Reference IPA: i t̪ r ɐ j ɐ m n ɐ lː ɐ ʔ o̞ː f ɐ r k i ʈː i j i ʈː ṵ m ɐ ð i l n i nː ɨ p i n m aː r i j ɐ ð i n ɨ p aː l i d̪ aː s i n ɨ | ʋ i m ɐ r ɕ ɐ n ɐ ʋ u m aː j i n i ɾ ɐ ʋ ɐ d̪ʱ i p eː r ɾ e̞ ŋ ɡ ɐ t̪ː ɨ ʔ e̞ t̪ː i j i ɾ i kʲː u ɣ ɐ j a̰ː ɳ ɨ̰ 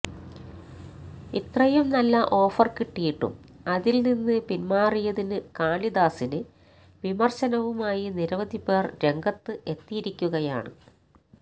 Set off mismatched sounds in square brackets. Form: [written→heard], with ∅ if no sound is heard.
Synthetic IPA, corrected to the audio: i t̪ r ɐ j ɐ m n ɐ lː ɐ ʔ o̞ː f ɐ r k i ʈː i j i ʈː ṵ m ɐ ð i l n i nː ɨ p i n m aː r i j ɐ ð i n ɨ [p→k] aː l i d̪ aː s i n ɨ | ʋ i m ɐ r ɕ ɐ n ɐ ʋ u m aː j i n i ɾ ɐ ʋ ɐ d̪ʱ i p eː r ɾ e̞ ŋ ɡ ɐ t̪ː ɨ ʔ e̞ t̪ː i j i ɾ i kʲː u ɣ ɐ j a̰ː ɳ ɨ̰

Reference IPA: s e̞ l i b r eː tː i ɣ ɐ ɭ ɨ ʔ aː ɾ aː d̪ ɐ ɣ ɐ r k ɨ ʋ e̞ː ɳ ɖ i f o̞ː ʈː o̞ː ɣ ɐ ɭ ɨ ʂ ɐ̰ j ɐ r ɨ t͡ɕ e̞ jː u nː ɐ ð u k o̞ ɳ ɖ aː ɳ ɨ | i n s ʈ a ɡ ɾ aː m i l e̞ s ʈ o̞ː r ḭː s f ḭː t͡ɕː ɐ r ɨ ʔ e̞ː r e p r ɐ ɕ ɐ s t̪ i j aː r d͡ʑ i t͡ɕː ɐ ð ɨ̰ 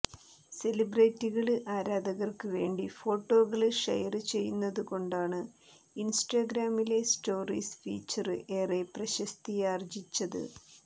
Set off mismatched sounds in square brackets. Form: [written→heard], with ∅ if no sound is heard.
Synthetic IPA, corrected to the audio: s e̞ l i b r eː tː i ɣ ɐ ɭ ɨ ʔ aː ɾ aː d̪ ɐ ɣ ɐ r k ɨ ʋ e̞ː ɳ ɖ i f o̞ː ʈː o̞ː ɣ ɐ ɭ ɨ ʂ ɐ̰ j ɐ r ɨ t͡ɕ e̞ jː u nː ɐ ð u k o̞ ɳ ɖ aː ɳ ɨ | i n s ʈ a ɡ ɾ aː m i l e̞ s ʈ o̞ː r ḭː s f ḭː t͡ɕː ɐ r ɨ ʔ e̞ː r e p r ɐ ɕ ɐ s t̪ i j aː r d͡ʑ i t͡ɕː ɐ ð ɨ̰

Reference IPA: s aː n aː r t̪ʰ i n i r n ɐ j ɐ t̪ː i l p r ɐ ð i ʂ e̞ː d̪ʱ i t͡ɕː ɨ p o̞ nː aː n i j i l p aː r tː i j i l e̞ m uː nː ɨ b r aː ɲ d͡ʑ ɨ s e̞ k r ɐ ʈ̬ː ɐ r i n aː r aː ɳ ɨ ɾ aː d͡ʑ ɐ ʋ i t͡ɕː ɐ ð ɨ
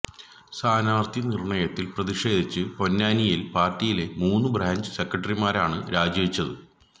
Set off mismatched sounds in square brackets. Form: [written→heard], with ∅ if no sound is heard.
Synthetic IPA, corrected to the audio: s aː n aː r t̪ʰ i n i r [n→ɳ] ɐ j ɐ t̪ː i l p r ɐ ð i ʂ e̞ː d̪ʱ i t͡ɕː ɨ p o̞ nː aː n i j i l p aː r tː i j i l e̞ m uː nː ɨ b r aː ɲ d͡ʑ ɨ s e̞ k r ɐ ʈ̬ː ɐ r i [n→m] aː [r→ɾ] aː ɳ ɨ ɾ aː d͡ʑ ɐ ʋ i t͡ɕː ɐ ð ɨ

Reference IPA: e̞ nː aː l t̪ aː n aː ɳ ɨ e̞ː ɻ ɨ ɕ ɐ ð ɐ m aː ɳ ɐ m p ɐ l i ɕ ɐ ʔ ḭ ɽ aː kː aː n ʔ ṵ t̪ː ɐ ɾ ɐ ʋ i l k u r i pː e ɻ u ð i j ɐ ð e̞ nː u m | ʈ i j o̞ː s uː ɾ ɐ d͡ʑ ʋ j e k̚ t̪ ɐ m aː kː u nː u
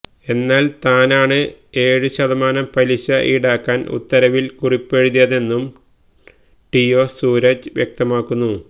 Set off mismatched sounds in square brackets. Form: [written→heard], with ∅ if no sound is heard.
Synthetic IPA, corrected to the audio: e̞ nː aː l t̪ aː n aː ɳ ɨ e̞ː ɻ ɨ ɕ ɐ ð ɐ m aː [ɳ→n] ɐ m p ɐ l i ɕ ɐ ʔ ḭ ɽ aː kː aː n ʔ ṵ t̪ː ɐ ɾ ɐ ʋ i l k u r i pː e ɻ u ð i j ɐ ð e̞ nː u m | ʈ i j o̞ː s uː ɾ ɐ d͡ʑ ʋ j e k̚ t̪ ɐ m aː kː u nː u

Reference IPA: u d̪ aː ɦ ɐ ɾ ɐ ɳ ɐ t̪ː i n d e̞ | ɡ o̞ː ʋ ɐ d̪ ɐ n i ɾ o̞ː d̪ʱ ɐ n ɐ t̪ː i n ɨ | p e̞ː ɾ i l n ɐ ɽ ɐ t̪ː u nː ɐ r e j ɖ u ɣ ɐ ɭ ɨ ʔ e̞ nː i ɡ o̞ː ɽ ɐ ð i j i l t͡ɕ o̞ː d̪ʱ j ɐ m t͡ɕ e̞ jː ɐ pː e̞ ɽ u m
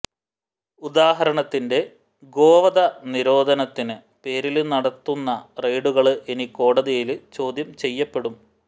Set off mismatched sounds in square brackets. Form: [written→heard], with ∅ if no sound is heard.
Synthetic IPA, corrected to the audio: u d̪ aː ɦ ɐ ɾ ɐ ɳ ɐ t̪ː i n d e̞ | ɡ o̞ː ʋ ɐ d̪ ɐ n i ɾ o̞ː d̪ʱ ɐ n ɐ t̪ː i n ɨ | p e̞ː ɾ i l n ɐ ɽ ɐ t̪ː u nː ɐ r e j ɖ u ɣ ɐ ɭ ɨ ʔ e̞ [nː→n] i [ɡ→k] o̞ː ɽ ɐ ð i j i l t͡ɕ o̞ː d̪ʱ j ɐ m t͡ɕ e̞ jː ɐ pː e̞ ɽ u m

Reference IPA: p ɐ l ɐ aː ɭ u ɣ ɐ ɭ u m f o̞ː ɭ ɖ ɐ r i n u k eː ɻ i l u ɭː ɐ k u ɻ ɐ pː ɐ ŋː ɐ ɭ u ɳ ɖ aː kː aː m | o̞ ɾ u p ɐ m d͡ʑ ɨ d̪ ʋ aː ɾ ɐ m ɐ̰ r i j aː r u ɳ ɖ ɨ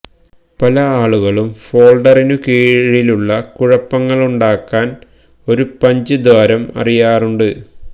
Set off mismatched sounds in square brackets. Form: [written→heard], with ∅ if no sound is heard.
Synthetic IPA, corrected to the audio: p ɐ l ɐ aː ɭ u ɣ ɐ ɭ u m f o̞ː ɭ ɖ ɐ r i n u k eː ɻ i l u ɭː ɐ k u ɻ ɐ pː ɐ ŋː ɐ ɭ u ɳ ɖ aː kː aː [m→n] | o̞ ɾ u p ɐ [m→ɲ] d͡ʑ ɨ d̪ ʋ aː ɾ ɐ m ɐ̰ r i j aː r u ɳ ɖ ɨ

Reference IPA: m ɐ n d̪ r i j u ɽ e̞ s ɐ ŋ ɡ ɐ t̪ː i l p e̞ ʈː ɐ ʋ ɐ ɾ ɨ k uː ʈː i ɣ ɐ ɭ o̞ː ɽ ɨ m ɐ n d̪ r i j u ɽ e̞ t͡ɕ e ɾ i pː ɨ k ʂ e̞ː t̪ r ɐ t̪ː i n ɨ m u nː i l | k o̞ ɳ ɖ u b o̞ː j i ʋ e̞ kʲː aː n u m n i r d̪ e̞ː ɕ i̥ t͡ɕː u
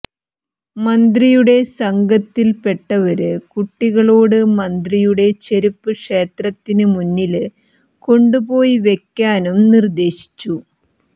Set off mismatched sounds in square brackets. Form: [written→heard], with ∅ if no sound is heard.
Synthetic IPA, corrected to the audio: m ɐ n d̪ r i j u ɽ e̞ s ɐ ŋ ɡ ɐ t̪ː i l p e̞ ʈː ɐ ʋ ɐ ɾ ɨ k [uː→u] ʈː i ɣ ɐ ɭ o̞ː ɽ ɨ m ɐ n d̪ r i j u ɽ e̞ t͡ɕ e ɾ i pː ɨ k ʂ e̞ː t̪ r ɐ t̪ː i n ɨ m u nː i l | k o̞ ɳ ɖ u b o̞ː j i ʋ e̞ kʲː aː n u m n i r d̪ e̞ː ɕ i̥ t͡ɕː u

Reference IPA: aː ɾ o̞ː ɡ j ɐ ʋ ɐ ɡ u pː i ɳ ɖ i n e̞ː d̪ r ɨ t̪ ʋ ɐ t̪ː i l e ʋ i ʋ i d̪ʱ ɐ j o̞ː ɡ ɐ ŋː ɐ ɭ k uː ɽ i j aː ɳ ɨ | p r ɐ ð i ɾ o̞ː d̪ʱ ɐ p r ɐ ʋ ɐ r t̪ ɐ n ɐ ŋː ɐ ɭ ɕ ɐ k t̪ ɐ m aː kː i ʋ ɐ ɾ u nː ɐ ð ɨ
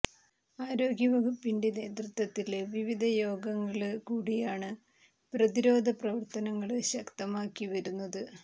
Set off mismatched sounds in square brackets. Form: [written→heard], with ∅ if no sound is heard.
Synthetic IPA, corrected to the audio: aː ɾ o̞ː ɡ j ɐ ʋ ɐ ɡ u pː i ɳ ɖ i n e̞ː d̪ r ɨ t̪ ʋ ɐ t̪ː i l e ʋ i ʋ i d̪ʱ ɐ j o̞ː ɡ ɐ ŋː ɐ ɭ k uː ɽ i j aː ɳ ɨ | p r ɐ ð i ɾ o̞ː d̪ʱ ɐ p r ɐ ʋ ɐ r t̪ ɐ n ɐ ŋː ɐ ɭ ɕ ɐ k t̪ ɐ m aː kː i ʋ ɐ ɾ u nː ɐ ð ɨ

